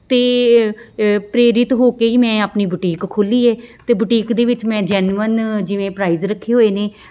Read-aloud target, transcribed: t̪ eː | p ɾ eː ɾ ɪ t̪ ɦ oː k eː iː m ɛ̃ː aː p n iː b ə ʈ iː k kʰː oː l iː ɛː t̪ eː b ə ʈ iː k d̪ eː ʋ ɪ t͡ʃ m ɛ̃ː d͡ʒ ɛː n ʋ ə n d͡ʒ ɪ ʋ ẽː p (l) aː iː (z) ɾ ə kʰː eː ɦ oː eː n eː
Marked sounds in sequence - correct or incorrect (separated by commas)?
incorrect, correct